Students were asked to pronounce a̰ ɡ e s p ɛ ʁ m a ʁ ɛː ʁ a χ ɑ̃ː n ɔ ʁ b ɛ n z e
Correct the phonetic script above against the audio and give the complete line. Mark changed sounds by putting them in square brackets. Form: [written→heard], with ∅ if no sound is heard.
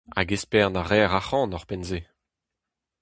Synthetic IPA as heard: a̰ ɡ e s p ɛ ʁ [m→n] a ʁ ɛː ʁ a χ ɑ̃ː n ɔ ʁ [b→p] ɛ n z e